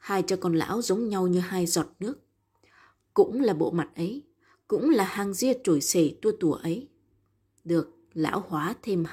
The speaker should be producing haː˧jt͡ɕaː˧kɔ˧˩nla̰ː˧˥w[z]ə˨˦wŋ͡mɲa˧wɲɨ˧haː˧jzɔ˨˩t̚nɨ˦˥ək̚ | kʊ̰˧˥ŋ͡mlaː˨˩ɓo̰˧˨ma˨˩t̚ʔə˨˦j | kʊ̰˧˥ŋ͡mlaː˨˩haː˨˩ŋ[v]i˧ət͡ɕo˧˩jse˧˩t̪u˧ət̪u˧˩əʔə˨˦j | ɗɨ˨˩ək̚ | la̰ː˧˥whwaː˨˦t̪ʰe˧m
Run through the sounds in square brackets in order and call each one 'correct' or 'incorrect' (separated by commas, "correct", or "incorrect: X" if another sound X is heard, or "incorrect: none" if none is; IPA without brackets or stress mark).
correct, incorrect: z